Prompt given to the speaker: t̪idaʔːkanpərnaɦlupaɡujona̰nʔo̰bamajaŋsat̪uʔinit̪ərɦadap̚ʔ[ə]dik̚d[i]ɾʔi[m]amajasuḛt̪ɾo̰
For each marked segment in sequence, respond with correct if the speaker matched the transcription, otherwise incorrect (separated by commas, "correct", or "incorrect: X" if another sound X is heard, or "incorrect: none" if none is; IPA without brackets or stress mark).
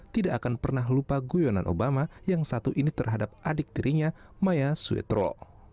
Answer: incorrect: a, correct, incorrect: ɲ